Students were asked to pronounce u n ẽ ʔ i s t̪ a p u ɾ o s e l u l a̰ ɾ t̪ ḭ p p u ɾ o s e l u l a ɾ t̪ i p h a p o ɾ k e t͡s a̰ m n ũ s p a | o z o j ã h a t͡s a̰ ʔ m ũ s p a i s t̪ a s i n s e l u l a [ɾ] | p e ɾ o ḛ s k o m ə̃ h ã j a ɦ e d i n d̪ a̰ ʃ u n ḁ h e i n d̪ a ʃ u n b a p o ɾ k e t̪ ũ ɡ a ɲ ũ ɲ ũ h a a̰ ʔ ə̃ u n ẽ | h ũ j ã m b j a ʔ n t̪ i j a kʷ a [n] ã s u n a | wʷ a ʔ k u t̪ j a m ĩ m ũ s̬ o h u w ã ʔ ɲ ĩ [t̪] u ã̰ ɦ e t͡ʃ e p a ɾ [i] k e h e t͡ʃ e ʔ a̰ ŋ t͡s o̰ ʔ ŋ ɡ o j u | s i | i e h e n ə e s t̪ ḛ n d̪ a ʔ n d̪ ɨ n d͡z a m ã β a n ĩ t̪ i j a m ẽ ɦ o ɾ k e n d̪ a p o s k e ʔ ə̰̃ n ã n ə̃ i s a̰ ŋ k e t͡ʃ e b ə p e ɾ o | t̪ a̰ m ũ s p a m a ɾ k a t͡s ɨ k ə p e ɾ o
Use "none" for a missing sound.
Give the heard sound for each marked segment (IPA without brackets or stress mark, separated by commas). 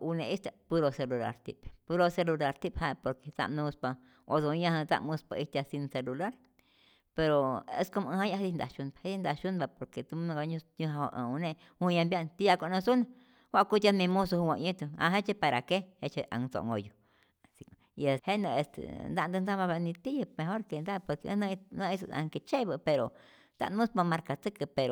ɾ, n, t̪, a